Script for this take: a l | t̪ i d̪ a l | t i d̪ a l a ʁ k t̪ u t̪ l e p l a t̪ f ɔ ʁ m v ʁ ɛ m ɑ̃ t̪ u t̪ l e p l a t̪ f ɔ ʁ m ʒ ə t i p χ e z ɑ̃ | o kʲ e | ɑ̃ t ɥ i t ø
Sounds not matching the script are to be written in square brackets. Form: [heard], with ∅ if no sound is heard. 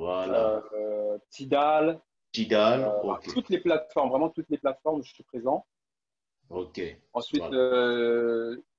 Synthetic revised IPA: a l | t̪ i d̪ a l | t i d̪ a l a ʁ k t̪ u t̪ l e p l a t̪ f ɔ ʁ m v ʁ ɛ m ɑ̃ t̪ u t̪ l e p l a t̪ f ɔ ʁ m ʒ ə [s] i p χ e z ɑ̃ | o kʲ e | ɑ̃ [s] ɥ i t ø